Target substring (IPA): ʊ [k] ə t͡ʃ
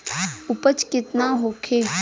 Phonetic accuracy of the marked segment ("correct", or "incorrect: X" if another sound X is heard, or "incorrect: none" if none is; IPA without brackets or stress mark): incorrect: p